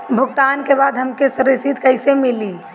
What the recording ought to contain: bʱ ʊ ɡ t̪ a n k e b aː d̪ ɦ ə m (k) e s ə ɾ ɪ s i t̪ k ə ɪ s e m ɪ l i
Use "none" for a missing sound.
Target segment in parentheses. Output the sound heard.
k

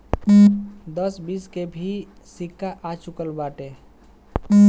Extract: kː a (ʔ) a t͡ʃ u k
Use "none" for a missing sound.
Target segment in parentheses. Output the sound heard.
ʔ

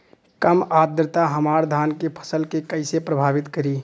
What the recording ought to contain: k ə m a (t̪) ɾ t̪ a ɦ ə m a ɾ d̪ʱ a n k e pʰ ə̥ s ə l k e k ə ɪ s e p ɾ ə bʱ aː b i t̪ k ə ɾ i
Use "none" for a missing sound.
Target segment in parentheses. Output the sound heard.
d̪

